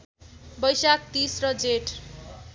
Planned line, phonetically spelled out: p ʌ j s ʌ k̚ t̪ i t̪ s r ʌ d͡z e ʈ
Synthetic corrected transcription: b ʌ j s a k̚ t̪ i s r ʌ d͡z e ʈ